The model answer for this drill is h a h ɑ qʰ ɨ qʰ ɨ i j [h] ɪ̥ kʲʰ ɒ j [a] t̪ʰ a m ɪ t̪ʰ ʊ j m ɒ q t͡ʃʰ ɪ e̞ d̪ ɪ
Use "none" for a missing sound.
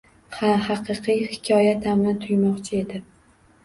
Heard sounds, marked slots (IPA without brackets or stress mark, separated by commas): h, a